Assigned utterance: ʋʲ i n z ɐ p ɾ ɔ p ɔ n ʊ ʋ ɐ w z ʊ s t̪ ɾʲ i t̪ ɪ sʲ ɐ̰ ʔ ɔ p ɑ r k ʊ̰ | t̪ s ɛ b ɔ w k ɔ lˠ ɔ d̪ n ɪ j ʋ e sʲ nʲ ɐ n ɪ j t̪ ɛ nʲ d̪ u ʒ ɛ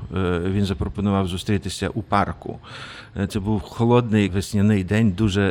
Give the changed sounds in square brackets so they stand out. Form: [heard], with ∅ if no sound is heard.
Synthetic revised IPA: ʋʲ i n z ɐ p ɾ ɔ p ɔ n ʊ ʋ [ɑ] w z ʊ s t̪ ɾʲ i t̪ ɪ sʲ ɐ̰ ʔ [u] p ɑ r k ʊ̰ | t̪ s ɛ b [u] w [x] ɔ lˠ ɔ d̪ n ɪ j ʋ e sʲ nʲ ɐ n ɪ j [d̪] ɛ nʲ d̪ u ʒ ɛ